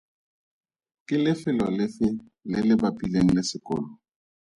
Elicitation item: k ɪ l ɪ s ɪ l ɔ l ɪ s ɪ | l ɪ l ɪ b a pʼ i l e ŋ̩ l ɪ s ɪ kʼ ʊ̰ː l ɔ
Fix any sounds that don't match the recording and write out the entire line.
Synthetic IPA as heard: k ɪ l ɪ f ɪ l ɔ l ɪ f ɪ | l ɪ l ɪ b a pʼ i l e ŋ̩ l ɪ s ɪ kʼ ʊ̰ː l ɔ